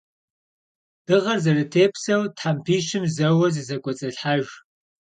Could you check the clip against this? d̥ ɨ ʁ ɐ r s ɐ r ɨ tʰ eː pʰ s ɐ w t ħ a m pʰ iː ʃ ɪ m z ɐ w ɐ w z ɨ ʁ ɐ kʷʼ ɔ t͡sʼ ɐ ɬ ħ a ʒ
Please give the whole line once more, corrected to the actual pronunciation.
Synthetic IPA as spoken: d̥ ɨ ʁ ɐ r z ɐ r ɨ tʰ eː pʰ s ɐ w t ħ a m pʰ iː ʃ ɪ m z ɐ w ɐ z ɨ z ɐ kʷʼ ɔ t͡sʼ ɐ ɬ ħ a ʒ